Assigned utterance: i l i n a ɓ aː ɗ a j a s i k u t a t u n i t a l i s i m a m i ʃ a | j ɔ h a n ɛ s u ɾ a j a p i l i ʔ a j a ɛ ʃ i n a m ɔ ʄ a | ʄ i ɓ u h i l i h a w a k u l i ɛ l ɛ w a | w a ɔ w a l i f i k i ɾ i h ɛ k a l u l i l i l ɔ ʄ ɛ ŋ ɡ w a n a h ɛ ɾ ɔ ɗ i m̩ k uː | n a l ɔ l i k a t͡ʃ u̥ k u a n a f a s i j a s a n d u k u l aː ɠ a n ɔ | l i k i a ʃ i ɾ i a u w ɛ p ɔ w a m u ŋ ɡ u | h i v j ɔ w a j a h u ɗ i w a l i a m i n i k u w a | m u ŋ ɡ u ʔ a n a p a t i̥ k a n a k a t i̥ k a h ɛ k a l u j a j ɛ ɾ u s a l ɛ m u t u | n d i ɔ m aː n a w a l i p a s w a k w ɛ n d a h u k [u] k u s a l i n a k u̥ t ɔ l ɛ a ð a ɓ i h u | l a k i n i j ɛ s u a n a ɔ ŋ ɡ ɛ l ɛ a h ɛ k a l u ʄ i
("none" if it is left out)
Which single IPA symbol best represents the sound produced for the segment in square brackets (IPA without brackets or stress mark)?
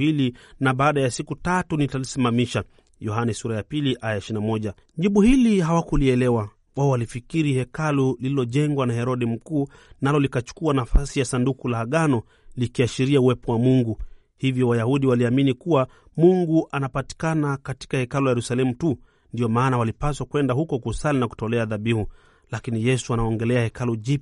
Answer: ɔ